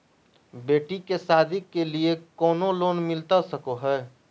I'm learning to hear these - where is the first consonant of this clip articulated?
lips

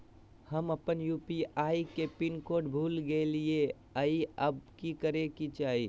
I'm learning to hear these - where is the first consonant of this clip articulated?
throat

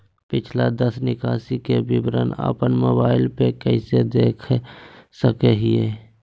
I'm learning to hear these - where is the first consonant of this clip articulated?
lips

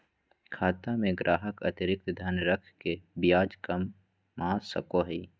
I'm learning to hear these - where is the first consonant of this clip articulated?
velum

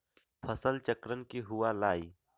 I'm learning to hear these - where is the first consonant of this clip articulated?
lips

